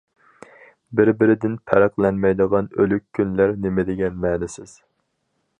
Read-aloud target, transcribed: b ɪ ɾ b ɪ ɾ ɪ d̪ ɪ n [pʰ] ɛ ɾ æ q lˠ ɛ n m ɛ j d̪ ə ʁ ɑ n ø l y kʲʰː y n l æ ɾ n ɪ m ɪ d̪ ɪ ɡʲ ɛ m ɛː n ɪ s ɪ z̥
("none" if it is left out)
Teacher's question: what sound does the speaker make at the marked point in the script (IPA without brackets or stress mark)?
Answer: pʰ